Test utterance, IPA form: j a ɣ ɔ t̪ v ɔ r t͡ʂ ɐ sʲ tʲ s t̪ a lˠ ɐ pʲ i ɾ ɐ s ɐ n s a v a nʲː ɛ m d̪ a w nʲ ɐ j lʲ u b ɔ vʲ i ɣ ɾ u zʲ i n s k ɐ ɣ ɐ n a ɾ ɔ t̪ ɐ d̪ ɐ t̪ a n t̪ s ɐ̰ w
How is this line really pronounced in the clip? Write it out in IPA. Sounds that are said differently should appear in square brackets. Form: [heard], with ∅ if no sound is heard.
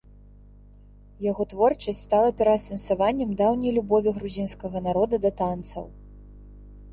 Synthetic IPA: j a ɣ ɔ t̪ v ɔ r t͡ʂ ɐ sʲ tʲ s t̪ a lˠ ɐ pʲ [ɛ] ɾ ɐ s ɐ n s a v a nʲː ɛ m d̪ a w nʲ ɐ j lʲ u b ɔ vʲ i ɣ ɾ u zʲ i n s k ɐ ɣ ɐ n a ɾ ɔ [d̪] ɐ d̪ ɐ t̪ a n t̪ s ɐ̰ w